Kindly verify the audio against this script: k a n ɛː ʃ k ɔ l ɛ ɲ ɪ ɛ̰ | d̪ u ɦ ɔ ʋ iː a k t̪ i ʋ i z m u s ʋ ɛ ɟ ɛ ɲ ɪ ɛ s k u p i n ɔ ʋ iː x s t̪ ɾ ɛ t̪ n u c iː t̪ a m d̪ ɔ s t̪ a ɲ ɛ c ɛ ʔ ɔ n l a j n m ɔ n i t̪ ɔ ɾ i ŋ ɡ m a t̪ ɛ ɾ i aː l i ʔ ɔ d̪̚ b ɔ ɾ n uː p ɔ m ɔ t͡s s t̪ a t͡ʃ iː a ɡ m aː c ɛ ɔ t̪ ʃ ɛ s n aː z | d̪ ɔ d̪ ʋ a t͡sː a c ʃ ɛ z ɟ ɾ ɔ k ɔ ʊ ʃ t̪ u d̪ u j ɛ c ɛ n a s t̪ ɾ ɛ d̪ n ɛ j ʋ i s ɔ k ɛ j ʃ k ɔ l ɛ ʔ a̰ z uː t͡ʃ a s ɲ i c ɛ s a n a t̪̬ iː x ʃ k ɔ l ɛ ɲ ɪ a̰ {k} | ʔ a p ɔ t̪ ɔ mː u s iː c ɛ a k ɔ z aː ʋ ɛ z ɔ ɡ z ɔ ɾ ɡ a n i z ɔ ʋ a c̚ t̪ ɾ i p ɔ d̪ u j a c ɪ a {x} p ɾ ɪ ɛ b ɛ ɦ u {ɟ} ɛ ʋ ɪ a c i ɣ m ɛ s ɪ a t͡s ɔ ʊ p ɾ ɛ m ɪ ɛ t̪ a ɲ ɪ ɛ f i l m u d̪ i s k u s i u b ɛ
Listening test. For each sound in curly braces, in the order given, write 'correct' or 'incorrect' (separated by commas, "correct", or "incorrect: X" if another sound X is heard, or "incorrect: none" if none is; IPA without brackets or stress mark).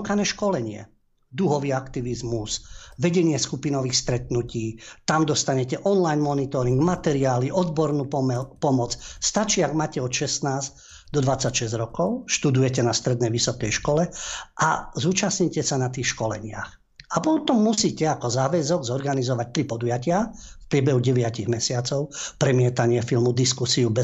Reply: incorrect: x, incorrect: f, correct